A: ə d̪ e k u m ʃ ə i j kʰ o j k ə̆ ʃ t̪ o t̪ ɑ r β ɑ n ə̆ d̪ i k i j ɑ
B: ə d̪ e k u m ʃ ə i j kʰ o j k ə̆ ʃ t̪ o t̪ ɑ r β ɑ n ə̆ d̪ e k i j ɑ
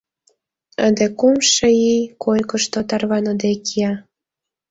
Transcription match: B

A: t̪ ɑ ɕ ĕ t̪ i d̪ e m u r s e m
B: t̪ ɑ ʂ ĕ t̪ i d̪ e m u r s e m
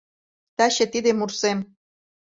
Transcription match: A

